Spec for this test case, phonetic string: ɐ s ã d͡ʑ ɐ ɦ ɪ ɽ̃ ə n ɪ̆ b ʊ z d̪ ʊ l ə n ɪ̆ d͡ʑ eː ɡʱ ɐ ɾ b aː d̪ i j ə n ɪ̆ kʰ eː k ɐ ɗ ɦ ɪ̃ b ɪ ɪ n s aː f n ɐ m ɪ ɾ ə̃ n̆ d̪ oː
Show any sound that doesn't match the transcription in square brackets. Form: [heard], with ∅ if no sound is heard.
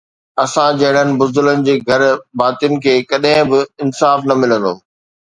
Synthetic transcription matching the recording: ɐ s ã d͡ʑ ɐ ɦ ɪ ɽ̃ ə n ɪ̆ b ʊ z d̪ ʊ l ə n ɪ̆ d͡ʑ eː ɡʱ ɐ ɾ b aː [t̪] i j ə n ɪ̆ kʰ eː k ɐ ɗ ɦ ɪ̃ b ɪ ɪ n s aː f n ɐ m ɪ [l] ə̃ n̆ d̪ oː